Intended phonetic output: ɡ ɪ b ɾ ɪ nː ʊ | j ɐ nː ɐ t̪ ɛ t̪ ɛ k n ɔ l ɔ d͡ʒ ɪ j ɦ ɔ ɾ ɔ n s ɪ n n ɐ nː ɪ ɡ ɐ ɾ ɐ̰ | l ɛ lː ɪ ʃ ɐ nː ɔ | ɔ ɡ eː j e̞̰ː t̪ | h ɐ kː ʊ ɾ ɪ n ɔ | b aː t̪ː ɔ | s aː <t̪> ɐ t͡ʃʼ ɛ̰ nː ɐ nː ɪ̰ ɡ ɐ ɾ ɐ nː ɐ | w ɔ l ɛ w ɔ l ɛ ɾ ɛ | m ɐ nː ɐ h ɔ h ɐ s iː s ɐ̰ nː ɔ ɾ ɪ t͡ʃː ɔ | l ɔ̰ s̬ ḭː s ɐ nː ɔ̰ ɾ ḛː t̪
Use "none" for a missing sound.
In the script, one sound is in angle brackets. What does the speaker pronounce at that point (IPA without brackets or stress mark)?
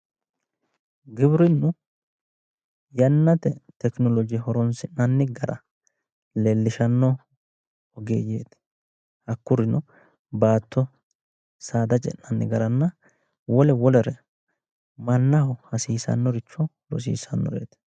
d̪